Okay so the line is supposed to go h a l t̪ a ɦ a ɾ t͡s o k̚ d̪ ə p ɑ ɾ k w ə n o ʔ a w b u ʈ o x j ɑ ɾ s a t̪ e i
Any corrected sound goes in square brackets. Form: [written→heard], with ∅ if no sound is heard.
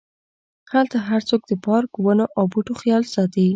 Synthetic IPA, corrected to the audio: h a l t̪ a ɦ a ɾ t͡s o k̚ d̪ ə p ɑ ɾ k w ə n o ʔ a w b u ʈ o x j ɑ [ɾ→l] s [a→ɑ] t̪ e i